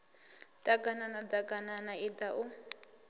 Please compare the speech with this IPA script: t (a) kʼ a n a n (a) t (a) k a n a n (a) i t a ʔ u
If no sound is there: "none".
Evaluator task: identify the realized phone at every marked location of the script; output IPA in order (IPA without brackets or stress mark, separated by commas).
a, a, a, a